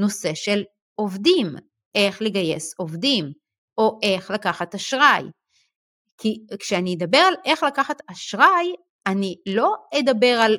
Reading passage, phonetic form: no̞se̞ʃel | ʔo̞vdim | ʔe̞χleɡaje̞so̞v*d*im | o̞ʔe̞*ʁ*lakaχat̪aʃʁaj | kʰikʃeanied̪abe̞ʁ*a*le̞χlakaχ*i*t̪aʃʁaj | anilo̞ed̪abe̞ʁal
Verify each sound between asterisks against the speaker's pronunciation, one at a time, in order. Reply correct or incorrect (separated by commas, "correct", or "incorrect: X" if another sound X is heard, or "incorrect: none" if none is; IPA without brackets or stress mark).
correct, incorrect: χ, correct, incorrect: a